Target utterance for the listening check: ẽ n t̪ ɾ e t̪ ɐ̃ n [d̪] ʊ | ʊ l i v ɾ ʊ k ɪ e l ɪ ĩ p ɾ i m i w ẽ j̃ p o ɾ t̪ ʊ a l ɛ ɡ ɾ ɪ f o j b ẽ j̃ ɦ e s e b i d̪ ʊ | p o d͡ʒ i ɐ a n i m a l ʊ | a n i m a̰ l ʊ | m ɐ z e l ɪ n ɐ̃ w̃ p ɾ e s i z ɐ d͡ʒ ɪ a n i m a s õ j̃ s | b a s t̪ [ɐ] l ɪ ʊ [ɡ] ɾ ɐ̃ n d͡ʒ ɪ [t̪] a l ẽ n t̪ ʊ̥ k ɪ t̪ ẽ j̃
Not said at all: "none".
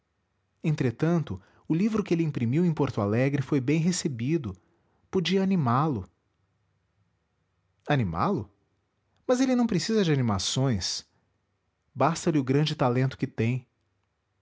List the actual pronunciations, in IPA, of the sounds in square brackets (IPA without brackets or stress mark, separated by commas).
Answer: t̪, ɐ, ɡ, t̪